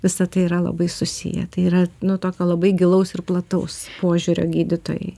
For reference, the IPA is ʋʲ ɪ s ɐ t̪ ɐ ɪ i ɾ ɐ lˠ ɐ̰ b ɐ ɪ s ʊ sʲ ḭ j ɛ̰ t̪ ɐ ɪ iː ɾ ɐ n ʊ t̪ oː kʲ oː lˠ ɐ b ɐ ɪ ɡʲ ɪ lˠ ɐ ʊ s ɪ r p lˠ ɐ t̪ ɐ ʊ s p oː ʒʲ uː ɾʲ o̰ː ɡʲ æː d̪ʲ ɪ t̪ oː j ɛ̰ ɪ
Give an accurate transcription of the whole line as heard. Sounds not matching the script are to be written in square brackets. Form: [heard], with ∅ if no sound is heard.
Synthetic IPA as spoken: ʋʲ ɪ s ɐ t̪ ɐ ɪ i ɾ ɐ lˠ ɐ̰ b ɐ ɪ s ʊ sʲ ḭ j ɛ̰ t̪ ɐ ɪ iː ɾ ɐ n ʊ t̪ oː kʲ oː lˠ ɐ b ɐ ɪ ɡʲ ɪ lˠ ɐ ʊ s ɪ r p lˠ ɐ t̪ ɐ ʊ s p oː ʒʲ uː ɾʲ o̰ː ɡʲ [iː] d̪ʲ ɪ t̪ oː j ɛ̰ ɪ